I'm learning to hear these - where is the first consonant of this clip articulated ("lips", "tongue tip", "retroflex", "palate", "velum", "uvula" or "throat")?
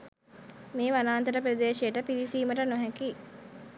lips